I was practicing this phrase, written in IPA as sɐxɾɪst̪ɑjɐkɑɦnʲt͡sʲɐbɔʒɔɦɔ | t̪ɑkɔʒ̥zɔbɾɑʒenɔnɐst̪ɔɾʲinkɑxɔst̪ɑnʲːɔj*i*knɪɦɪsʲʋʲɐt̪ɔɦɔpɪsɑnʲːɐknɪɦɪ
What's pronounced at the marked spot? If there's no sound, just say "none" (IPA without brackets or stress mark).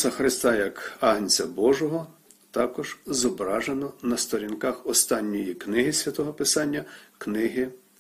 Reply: i